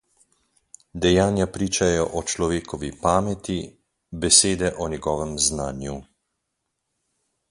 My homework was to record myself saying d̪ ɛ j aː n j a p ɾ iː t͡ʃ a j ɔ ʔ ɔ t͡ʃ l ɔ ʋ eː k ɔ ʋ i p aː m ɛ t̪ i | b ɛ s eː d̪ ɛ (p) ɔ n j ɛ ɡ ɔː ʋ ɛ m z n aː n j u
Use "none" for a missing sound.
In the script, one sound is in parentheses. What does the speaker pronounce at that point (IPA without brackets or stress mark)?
ʔ